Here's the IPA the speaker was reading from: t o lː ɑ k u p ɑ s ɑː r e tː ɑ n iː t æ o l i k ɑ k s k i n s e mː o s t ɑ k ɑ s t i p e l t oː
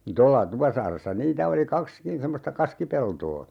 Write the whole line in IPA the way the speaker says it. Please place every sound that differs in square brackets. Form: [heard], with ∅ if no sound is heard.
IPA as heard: t o lː ɑ [t] u p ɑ s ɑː r e [sː] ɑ n iː t æ o l i k ɑ k s k i n s e mː o s t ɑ k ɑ s [k] i p e l t oː